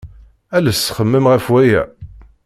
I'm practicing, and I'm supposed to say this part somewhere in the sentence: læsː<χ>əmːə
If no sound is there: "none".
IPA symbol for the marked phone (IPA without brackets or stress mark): χ